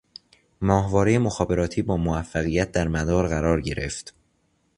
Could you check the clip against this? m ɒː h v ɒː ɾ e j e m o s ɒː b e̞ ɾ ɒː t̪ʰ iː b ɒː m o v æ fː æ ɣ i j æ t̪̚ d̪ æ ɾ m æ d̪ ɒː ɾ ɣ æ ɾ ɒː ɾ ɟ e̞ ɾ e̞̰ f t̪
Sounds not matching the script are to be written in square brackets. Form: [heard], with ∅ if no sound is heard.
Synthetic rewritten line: m ɒː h v ɒː ɾ e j e m o [x] ɒː b e̞ ɾ ɒː t̪ʰ iː b ɒː m o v æ fː æ ɣ i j æ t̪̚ d̪ æ ɾ m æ d̪ ɒː ɾ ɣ æ ɾ ɒː ɾ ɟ e̞ ɾ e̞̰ f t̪

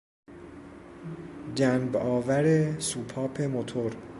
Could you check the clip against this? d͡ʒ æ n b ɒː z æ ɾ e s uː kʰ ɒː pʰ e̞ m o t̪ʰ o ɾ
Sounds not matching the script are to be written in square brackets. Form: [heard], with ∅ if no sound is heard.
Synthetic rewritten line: d͡ʒ æ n b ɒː [v] æ ɾ e s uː [pʰ] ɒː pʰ e̞ m o t̪ʰ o ɾ

